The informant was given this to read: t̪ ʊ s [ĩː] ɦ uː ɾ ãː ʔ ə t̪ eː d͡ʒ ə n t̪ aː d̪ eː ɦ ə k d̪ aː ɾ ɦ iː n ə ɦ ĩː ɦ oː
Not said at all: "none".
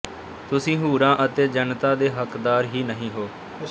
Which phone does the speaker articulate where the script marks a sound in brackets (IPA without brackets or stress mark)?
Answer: ĩː